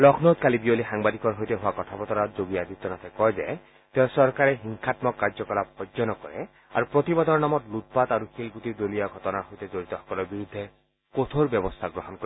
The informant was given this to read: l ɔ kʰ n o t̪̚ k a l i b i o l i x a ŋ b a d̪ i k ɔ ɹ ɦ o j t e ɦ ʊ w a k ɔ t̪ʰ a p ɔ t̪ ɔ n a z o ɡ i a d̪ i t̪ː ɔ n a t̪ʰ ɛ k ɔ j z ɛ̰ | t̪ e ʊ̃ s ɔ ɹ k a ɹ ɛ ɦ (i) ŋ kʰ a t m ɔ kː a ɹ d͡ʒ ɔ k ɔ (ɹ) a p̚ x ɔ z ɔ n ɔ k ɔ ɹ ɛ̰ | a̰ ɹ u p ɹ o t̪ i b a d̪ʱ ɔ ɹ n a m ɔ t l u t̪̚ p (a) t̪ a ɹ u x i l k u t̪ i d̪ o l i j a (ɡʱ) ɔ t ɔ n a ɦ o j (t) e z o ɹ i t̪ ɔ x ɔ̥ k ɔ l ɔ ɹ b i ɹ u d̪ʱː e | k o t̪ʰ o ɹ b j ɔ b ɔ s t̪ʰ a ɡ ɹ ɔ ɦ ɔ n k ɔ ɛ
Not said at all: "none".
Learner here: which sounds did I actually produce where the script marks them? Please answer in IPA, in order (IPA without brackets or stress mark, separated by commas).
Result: i, l, a, ɡʱ, t